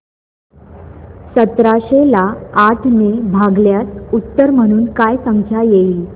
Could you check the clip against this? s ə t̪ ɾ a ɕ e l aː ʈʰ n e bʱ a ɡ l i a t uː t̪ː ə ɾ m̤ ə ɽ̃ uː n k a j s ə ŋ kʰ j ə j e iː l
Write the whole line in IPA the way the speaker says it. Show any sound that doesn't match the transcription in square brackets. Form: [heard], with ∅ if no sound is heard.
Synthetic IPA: s ə t̪ ɾ a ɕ e l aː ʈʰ n e bʱ a ɡ l [j] a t [u] t̪ː ə ɾ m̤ ə ɽ̃ uː n k a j s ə ŋ kʰ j [a] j e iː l